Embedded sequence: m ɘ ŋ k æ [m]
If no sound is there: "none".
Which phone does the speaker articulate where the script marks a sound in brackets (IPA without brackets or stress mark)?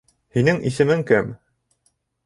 m